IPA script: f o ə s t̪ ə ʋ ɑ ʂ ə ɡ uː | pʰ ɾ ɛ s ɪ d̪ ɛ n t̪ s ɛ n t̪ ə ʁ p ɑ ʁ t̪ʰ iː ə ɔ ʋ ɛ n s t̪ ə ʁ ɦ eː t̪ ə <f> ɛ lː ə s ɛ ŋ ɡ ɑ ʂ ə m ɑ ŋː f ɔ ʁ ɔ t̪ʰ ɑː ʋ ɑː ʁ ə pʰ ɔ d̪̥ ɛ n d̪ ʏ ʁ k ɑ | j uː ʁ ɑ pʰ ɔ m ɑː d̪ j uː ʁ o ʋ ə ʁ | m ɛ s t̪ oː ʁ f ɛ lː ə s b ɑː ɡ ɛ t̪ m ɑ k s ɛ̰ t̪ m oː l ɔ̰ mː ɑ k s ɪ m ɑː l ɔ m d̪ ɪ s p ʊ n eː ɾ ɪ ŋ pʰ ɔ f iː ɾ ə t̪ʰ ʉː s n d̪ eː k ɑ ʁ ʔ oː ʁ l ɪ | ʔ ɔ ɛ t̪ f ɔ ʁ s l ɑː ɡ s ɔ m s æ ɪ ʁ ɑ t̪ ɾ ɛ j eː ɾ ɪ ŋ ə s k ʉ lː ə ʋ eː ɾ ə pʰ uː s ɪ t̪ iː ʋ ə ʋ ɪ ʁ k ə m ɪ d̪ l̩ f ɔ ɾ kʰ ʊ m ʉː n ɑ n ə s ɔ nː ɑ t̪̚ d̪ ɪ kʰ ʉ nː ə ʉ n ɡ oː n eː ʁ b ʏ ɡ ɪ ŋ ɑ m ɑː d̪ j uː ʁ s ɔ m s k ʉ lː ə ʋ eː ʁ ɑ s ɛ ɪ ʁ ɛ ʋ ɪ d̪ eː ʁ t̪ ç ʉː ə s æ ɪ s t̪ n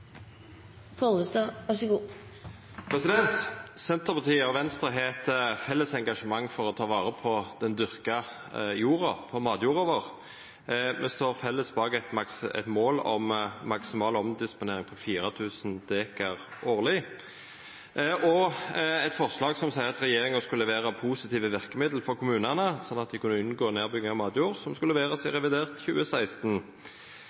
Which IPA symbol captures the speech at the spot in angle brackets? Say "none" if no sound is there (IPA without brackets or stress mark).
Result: f